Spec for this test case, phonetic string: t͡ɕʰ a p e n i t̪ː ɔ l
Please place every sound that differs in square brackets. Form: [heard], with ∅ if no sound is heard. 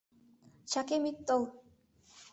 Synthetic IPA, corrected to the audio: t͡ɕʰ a [k] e [m] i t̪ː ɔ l